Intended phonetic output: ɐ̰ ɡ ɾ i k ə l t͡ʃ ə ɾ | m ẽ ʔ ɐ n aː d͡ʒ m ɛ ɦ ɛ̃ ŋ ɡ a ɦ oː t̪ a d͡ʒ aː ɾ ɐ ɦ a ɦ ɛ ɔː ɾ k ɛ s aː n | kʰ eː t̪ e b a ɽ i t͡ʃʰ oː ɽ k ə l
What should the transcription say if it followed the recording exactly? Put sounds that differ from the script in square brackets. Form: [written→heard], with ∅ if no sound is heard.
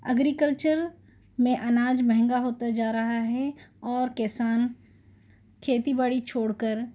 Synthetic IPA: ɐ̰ ɡ ɾ i k ə l t͡ʃ ə ɾ | m ẽ ʔ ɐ n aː d͡ʒ m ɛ ɦ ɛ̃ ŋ ɡ a ɦ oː t̪ a d͡ʒ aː ɾ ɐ ɦ a ɦ ɛ ɔː ɾ k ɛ s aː n | kʰ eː t̪ [e→i] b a ɽ i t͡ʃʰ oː ɽ k ə [l→ɾ]